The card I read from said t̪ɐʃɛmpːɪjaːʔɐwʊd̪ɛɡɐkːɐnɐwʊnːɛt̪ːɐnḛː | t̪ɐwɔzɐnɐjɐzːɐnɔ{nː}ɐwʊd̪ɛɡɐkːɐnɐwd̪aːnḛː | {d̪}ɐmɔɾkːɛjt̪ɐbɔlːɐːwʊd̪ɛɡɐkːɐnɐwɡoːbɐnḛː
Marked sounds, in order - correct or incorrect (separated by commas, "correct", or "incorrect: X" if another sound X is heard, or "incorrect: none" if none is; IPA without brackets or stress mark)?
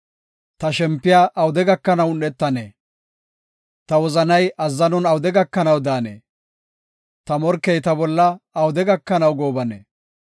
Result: incorrect: n, incorrect: t̪